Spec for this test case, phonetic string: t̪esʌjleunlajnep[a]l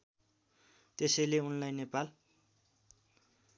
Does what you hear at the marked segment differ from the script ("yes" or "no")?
no